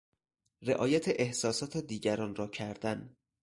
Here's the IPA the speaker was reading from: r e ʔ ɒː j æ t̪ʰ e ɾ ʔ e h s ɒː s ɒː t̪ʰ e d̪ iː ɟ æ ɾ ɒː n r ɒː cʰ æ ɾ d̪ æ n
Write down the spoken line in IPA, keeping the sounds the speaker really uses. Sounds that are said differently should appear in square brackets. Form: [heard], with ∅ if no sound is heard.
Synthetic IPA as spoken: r e ʔ ɒː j æ t̪ʰ e [∅] ʔ e h s ɒː s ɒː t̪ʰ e d̪ iː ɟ æ ɾ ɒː n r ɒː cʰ æ ɾ d̪ æ n